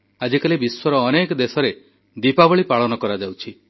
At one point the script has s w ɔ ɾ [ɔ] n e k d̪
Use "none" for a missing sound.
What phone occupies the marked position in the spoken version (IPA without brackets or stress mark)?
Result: ɔː